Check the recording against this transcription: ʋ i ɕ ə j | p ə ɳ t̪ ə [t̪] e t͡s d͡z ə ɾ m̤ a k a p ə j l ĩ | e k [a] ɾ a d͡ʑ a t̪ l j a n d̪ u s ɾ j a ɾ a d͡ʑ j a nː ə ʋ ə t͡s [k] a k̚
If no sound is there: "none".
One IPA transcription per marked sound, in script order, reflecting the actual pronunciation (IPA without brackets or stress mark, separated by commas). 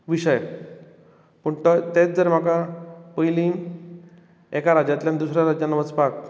t̪, a, p